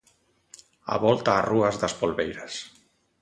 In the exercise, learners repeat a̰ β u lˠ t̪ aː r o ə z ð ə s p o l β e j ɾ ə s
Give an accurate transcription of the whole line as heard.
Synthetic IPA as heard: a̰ β ɔ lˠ t̪ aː r u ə z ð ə s p o l β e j ɾ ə s